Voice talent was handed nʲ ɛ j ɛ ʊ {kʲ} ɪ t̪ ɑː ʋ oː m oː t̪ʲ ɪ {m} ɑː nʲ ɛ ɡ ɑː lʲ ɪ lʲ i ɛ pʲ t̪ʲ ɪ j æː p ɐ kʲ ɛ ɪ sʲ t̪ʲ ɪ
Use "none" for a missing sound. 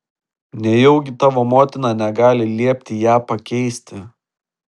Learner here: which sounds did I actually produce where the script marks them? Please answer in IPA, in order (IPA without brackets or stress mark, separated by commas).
ɡʲ, n